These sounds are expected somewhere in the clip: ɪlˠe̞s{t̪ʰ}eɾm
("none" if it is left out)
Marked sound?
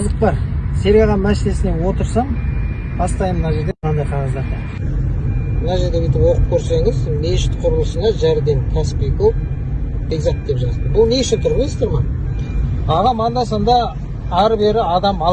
t̪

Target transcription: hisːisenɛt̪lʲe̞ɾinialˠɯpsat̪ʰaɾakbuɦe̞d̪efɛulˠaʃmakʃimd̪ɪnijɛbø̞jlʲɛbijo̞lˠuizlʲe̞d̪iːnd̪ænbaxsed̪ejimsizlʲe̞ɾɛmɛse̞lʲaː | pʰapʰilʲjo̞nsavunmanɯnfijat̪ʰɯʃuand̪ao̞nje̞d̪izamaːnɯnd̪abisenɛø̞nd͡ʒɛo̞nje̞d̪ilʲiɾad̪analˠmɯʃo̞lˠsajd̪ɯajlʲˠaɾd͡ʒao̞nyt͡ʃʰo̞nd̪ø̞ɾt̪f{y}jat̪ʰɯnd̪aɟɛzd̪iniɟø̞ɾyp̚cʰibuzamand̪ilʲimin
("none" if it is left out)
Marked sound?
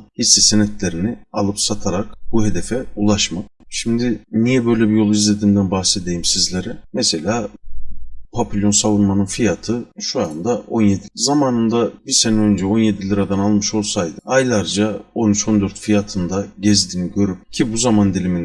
i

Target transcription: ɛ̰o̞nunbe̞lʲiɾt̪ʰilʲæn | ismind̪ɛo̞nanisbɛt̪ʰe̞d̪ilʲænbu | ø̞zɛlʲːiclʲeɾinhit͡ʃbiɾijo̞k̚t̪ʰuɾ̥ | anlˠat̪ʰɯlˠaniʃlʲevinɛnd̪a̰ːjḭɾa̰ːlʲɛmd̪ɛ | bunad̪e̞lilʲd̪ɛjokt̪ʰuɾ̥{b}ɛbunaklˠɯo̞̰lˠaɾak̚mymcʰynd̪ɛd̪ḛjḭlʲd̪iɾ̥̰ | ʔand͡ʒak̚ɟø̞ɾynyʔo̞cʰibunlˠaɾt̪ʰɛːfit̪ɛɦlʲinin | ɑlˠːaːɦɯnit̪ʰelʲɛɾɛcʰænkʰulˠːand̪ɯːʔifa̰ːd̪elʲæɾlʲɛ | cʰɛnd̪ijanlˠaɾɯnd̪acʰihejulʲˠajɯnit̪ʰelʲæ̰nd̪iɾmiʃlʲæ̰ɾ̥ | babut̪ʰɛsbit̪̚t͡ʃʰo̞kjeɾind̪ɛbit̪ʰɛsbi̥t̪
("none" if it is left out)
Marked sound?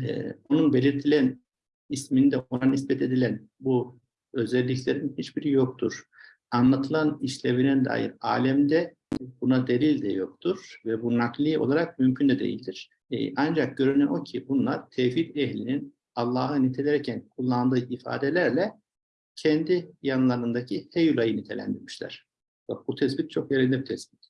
v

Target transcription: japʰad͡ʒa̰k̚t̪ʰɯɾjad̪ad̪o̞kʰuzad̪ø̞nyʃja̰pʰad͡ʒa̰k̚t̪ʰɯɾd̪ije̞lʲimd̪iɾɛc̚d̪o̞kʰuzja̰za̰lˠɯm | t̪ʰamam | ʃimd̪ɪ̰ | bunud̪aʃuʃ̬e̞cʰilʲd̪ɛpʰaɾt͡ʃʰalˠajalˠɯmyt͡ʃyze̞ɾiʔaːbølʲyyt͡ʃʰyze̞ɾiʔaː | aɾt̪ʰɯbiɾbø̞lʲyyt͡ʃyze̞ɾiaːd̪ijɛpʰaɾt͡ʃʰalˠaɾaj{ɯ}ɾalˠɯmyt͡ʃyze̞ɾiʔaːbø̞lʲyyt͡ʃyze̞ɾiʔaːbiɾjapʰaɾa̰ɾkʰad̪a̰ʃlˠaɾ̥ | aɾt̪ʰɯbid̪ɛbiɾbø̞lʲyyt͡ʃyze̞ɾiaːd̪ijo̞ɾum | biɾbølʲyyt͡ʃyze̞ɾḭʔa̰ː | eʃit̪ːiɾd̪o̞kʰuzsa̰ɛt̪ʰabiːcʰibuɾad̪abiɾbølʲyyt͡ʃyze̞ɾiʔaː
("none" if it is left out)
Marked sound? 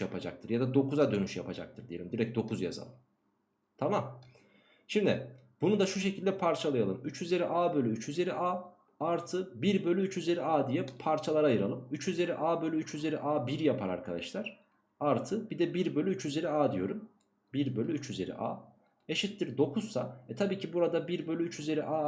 ɯ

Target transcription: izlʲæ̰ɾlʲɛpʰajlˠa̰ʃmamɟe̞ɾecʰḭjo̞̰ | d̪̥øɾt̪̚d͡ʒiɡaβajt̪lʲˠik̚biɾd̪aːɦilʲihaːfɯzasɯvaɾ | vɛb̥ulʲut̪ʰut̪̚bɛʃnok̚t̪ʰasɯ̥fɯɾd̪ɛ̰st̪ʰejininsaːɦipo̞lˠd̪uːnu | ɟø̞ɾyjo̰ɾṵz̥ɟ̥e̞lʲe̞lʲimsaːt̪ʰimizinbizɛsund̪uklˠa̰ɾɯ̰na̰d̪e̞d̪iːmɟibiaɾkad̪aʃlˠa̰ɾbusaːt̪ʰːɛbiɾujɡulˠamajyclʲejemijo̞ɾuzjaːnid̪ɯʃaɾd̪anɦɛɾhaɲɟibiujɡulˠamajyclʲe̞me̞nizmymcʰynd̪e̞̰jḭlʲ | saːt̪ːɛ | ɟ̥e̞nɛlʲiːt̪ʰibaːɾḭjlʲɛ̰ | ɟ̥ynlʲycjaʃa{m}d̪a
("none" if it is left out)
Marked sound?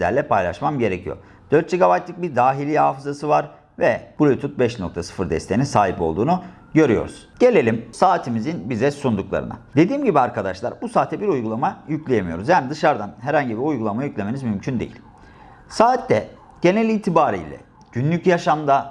m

